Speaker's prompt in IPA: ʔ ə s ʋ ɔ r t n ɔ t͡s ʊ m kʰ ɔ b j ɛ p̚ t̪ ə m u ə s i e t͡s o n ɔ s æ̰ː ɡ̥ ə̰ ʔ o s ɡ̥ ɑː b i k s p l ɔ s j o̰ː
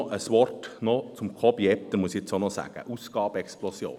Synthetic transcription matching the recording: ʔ ə s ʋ ɔ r t n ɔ t͡s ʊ m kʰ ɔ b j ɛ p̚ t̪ ə m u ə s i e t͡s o n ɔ s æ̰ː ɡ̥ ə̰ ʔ u s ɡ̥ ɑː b ɛ k s p l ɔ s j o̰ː